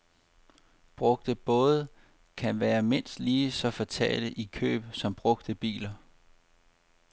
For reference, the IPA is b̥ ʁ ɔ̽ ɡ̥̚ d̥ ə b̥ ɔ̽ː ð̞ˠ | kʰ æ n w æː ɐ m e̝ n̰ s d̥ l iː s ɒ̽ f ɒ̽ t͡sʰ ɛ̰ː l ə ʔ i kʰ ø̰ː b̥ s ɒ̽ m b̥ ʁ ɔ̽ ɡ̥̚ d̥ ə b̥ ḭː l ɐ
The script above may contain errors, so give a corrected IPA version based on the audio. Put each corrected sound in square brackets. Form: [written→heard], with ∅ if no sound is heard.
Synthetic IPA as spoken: b̥ ʁ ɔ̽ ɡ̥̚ d̥ ə b̥ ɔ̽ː ð̞ˠ | kʰ æ n [w→ʋ] æː ɐ m e̝ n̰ s d̥ l iː s ɒ̽ f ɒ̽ t͡sʰ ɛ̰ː l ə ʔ i kʰ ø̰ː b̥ s ɒ̽ m b̥ ʁ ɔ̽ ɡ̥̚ d̥ ə b̥ ḭː l ɐ